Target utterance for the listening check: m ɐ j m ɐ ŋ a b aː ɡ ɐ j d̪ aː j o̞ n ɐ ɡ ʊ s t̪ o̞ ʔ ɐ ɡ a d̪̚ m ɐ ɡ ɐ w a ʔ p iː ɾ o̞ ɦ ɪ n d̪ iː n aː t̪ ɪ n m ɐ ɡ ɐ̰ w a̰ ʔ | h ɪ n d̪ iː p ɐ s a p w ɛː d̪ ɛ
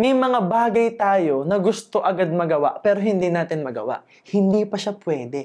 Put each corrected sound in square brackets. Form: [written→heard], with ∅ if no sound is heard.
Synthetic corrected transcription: m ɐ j m ɐ ŋ a b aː ɡ ɐ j [d̪→t̪] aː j o̞ n ɐ ɡ ʊ s t̪ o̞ ʔ ɐ ɡ a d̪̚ m ɐ ɡ ɐ w a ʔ p [iː→ɛː] ɾ o̞ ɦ ɪ n d̪ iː n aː t̪ ɪ n m ɐ ɡ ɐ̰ w a̰ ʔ | h ɪ n d̪ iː p ɐ [s→ʃ] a p w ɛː d̪ ɛ